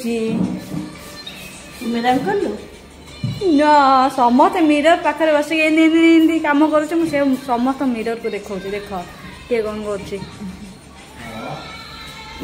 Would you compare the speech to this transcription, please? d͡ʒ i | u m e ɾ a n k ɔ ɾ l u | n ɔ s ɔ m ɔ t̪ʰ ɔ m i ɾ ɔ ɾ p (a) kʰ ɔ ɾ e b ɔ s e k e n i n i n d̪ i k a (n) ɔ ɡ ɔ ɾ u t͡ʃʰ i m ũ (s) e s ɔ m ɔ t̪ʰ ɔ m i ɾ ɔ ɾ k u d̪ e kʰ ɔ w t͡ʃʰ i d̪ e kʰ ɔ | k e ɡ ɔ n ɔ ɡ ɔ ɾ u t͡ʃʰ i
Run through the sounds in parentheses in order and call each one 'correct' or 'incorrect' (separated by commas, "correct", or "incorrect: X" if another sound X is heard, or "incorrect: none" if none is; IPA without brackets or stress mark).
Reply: correct, incorrect: m, correct